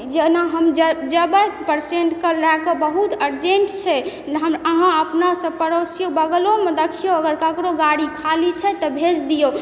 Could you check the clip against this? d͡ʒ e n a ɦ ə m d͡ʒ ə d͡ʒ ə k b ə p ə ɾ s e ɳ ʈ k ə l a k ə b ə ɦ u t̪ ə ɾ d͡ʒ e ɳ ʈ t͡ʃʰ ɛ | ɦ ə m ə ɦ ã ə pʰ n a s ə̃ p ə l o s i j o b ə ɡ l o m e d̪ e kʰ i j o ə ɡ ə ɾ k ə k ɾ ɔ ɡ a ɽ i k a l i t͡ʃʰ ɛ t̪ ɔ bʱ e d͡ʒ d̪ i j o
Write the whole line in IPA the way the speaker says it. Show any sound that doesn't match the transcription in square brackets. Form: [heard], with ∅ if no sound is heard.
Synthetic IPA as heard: d͡ʒ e n a ɦ ə m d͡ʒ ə d͡ʒ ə [∅] b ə p ə ɾ s e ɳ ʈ k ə l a k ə b ə ɦ u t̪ ə ɾ d͡ʒ e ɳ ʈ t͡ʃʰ ɛ | ɦ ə m ə ɦ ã ə [p] n a s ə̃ p ə [ɾ] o s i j o b ə ɡ l o m e d̪ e kʰ i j o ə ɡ ə ɾ k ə k ɾ [o] ɡ a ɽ i [kʰ] a l i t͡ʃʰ ɛ t̪ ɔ bʱ e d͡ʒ d̪ i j o